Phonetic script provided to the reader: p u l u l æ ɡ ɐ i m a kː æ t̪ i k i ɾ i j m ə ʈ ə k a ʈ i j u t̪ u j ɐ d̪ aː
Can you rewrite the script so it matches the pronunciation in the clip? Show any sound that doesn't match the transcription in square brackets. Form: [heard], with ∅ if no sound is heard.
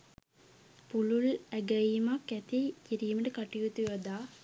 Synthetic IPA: p u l u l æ ɡ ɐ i m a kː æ t̪ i k i ɾ i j m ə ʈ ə k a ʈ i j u t̪ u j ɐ d̪ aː